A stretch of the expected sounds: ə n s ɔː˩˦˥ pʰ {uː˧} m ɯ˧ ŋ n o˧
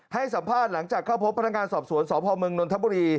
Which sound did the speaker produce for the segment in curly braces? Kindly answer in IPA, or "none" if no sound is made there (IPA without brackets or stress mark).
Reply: ɔː˧